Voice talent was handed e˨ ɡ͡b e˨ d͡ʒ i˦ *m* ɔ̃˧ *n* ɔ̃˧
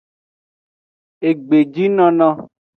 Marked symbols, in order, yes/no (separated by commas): no, yes